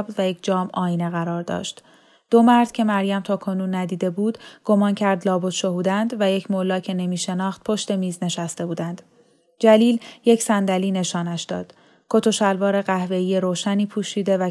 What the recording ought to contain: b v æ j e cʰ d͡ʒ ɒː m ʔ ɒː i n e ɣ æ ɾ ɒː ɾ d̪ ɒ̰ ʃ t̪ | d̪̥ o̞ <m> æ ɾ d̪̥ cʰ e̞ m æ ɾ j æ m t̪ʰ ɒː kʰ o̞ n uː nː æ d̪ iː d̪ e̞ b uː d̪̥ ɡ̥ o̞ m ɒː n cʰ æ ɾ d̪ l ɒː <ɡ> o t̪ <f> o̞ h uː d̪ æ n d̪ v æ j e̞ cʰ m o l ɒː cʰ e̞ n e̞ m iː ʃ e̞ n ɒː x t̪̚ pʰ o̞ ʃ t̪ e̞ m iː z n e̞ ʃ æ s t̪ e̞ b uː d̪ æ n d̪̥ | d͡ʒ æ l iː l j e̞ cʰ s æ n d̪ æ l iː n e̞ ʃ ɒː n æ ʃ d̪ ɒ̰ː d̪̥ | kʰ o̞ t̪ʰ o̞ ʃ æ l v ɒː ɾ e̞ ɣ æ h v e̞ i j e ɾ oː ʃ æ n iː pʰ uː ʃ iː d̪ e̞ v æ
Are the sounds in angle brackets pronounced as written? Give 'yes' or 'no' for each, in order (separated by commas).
yes, no, no